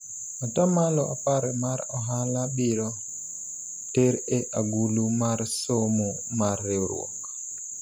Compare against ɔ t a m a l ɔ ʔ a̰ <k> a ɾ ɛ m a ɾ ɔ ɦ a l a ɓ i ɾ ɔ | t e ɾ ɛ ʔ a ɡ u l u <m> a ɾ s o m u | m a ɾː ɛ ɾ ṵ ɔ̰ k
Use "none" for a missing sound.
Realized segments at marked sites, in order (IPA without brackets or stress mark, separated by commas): p, m